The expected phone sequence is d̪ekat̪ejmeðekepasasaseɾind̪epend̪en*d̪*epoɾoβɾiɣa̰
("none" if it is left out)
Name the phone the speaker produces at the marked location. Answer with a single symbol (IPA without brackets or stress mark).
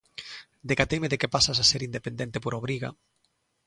t̪